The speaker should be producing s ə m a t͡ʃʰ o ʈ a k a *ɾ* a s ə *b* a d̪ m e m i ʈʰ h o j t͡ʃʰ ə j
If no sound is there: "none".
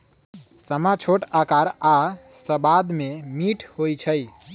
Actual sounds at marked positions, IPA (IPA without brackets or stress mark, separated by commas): ɾ, b